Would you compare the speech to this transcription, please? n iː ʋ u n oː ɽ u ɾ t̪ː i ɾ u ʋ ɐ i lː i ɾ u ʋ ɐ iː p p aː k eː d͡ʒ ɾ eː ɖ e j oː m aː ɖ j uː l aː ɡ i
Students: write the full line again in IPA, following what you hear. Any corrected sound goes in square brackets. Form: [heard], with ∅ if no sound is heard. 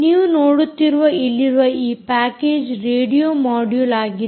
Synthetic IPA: n iː ʋ u n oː ɽ u [∅] t̪ː i ɾ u ʋ ɐ i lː i ɾ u ʋ ɐ iː p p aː k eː d͡ʒ ɾ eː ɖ [i] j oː m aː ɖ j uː l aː ɡ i